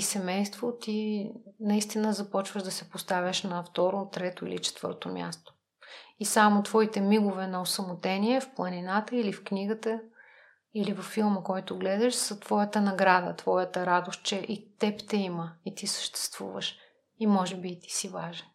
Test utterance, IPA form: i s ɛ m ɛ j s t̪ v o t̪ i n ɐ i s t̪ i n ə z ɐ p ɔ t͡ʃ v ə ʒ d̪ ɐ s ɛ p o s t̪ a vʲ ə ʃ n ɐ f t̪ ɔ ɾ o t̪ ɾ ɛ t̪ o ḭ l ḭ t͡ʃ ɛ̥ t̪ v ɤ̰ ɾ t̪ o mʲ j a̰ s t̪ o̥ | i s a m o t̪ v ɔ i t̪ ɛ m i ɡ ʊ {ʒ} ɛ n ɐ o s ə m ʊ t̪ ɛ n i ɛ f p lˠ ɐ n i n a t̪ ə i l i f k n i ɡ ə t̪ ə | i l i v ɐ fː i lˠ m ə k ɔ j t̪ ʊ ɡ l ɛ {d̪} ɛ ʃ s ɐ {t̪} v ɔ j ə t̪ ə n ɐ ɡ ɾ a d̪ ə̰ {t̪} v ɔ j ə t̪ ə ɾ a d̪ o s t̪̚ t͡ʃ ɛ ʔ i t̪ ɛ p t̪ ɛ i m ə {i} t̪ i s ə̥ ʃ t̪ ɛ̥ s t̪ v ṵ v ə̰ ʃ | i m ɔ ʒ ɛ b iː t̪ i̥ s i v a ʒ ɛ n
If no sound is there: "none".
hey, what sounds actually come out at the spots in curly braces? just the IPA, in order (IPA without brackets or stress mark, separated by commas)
v, d̪, t̪, t̪, i